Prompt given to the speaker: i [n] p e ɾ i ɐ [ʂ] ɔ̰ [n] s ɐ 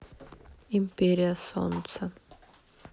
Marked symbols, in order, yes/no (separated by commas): no, no, yes